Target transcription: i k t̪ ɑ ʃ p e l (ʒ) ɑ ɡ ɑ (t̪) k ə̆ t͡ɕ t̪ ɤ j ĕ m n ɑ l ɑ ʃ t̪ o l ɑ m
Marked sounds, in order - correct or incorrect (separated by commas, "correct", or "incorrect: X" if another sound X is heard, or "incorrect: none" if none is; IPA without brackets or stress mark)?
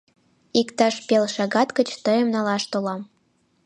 incorrect: ʃ, correct